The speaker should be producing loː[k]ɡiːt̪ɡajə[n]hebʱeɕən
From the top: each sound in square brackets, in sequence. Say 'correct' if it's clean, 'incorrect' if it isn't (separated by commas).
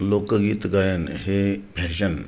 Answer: correct, correct